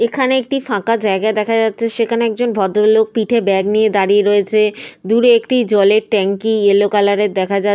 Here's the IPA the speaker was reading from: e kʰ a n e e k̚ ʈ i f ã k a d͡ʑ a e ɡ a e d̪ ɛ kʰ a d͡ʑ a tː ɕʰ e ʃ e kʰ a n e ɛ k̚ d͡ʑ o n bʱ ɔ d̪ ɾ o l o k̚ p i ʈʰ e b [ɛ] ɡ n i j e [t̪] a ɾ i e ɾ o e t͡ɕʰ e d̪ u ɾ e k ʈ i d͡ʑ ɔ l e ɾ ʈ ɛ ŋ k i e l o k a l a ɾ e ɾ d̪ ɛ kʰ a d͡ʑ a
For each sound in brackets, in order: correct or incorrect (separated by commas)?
correct, incorrect